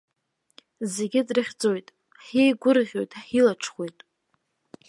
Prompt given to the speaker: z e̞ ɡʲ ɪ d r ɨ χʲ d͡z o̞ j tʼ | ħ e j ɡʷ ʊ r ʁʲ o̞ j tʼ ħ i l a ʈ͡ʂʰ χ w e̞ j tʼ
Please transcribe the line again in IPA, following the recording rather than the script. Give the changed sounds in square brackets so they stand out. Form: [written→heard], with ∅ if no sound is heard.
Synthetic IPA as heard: z e̞ ɡʲ ɪ d r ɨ χʲ d͡z o̞ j tʼ | ħ e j ɡʷ ʊ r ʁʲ o̞ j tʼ ħ i l a ʈ͡ʂʰ χ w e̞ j tʼ